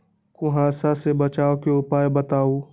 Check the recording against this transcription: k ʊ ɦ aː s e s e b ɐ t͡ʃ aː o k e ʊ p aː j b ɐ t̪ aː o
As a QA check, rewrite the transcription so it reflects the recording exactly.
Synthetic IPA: k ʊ ɦ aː s a s e b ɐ t͡ʃ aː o k e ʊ p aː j b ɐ t̪ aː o